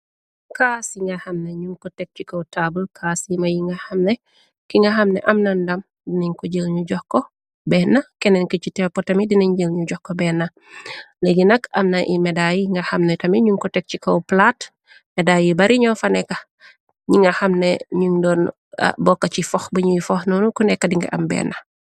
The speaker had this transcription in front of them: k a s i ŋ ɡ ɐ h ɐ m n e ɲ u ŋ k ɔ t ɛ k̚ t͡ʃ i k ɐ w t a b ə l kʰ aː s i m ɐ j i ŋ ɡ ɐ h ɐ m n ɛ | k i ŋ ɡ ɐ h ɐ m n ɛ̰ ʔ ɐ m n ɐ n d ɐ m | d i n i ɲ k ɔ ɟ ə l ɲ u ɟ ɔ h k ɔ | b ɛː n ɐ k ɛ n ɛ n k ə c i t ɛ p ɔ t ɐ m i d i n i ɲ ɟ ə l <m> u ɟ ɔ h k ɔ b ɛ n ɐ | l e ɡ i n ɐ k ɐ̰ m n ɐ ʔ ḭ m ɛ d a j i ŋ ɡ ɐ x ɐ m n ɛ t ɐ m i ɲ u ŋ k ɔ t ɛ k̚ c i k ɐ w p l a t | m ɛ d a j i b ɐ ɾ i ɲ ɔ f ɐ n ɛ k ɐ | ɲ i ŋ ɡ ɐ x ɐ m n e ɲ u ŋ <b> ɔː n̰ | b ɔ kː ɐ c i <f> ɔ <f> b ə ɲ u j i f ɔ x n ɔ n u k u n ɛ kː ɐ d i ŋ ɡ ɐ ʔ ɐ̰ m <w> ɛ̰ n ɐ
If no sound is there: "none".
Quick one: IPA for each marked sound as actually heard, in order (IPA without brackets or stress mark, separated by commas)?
ɲ, d, f, x, b